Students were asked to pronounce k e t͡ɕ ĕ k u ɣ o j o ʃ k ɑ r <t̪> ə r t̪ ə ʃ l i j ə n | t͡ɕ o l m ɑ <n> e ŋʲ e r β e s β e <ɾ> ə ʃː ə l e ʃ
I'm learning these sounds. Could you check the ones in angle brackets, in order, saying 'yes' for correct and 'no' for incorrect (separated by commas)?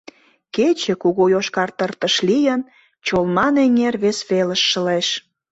yes, yes, no